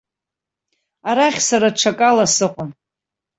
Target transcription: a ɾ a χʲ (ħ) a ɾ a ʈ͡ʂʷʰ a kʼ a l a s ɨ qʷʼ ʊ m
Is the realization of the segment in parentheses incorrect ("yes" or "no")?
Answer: yes